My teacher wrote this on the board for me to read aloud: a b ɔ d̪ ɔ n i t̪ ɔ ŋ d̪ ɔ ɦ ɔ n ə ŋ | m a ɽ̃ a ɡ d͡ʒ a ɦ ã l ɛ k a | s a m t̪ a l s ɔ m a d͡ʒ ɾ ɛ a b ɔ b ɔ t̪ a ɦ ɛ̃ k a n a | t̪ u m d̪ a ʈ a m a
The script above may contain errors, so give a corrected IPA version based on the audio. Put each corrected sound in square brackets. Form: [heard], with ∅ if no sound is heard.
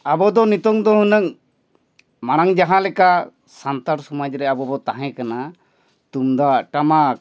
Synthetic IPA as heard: a b ɔ d̪ ɔ n i t̪ ɔ ŋ d̪ ɔ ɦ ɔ n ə ŋ | m a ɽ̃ a [ŋ] d͡ʒ a ɦ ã l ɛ k a | s a [n] t̪ a [ɾ] s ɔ m a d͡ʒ ɾ ɛ a b ɔ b ɔ t̪ a ɦ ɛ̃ k a n a | t̪ u m d̪ a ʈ a m a

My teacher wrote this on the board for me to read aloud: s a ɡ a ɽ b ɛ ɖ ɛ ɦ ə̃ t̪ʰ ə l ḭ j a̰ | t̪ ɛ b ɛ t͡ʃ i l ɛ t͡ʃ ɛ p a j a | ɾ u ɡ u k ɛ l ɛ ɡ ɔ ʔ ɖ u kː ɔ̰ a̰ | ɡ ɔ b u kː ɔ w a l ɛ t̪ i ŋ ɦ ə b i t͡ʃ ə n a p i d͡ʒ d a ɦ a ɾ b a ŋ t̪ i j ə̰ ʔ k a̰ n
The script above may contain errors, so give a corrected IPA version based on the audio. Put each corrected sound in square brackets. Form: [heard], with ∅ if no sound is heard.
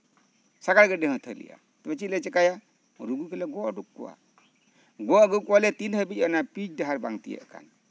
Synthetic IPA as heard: s a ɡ a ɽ [ɡ] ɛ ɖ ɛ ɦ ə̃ t̪ʰ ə l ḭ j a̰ | t̪ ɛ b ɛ t͡ʃ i l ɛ t͡ʃ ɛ [k] a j a | ɾ u ɡ u k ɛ l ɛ ɡ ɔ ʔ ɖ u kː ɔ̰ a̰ | ɡ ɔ [ɡ] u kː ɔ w a l ɛ t̪ i [n] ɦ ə b i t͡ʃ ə n a p i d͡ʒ d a ɦ a ɾ b a ŋ t̪ i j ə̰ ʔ k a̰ n

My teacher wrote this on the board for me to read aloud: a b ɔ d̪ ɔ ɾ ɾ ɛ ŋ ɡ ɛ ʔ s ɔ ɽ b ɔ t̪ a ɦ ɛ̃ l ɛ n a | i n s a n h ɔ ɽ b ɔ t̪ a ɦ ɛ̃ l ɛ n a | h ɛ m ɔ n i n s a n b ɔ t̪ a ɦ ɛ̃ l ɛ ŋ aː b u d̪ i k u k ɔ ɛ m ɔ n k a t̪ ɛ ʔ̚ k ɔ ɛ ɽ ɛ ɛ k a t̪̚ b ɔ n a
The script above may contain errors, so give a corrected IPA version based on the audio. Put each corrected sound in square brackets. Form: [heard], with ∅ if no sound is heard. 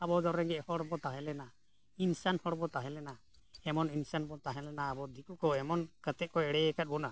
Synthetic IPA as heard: a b ɔ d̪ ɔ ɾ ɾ ɛ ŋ ɡ ɛ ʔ [h] ɔ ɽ b ɔ t̪ a ɦ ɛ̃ l ɛ n a | i n s a n h ɔ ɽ b ɔ t̪ a ɦ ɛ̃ l ɛ n a | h ɛ m ɔ n i n s a n b ɔ t̪ a ɦ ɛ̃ l ɛ [n] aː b [ɔ] d̪ i k u k ɔ ɛ m ɔ n k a t̪ ɛ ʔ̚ k ɔ ɛ ɽ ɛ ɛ k a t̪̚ b ɔ n a

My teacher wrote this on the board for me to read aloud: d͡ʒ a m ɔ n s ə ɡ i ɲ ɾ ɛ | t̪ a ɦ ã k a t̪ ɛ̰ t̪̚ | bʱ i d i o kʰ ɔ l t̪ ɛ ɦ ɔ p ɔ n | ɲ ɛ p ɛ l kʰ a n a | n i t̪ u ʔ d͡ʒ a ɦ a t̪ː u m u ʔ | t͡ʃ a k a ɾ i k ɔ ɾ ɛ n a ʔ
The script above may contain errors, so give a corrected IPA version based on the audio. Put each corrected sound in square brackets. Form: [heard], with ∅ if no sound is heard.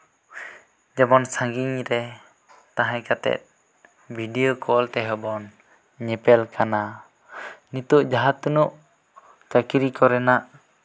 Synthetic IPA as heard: d͡ʒ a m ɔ n s [a] ɡ i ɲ ɾ ɛ | t̪ a ɦ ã k a t̪ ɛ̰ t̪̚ | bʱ i d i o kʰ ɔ l t̪ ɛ ɦ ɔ [b] ɔ n | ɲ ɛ p ɛ l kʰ a n a | n i t̪ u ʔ d͡ʒ a ɦ a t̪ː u [n] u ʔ | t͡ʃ a k [i] ɾ i k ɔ ɾ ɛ n a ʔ

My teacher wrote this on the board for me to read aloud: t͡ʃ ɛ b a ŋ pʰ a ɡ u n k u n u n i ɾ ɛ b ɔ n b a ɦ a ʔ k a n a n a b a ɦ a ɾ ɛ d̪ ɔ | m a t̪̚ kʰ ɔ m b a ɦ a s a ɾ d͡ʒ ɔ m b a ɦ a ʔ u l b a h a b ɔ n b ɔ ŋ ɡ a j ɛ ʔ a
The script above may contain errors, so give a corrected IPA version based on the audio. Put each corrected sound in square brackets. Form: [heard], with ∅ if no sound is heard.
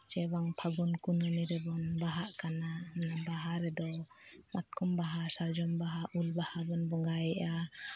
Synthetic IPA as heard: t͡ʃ ɛ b a ŋ pʰ a ɡ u n k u n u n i ɾ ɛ b ɔ n b a ɦ a ʔ k a n a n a b a ɦ a ɾ ɛ d̪ ɔ | m a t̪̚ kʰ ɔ m b a ɦ a s a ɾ d͡ʒ ɔ m b a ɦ a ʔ u l b a h a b ɔ n b ɔ ŋ ɡ a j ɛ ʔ a

